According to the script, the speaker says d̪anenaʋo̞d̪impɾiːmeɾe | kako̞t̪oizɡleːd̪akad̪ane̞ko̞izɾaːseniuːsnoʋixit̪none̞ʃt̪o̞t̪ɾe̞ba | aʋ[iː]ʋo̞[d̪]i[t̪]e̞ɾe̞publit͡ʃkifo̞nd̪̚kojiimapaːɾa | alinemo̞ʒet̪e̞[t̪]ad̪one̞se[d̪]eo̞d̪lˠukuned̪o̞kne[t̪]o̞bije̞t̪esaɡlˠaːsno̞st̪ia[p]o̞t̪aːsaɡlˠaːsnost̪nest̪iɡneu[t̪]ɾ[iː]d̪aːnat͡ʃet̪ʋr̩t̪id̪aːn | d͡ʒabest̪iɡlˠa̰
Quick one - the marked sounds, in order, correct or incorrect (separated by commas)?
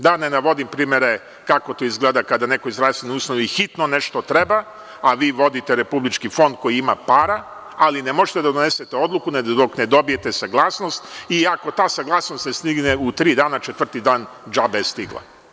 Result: correct, correct, correct, incorrect, incorrect, incorrect, incorrect, correct, correct